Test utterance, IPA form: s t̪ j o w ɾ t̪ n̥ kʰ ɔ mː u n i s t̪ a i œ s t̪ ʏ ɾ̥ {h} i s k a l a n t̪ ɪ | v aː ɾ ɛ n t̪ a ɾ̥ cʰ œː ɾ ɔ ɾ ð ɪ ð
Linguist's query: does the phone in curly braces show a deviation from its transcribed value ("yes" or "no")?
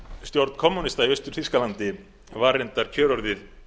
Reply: yes